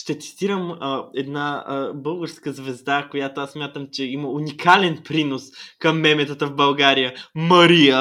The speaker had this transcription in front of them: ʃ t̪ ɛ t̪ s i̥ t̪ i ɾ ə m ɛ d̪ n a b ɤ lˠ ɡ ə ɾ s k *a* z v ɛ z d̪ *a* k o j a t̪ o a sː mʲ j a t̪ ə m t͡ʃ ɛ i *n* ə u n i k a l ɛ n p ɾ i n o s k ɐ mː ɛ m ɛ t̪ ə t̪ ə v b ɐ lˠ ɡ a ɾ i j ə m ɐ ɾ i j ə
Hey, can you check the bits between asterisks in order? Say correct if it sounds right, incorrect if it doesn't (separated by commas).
incorrect, correct, incorrect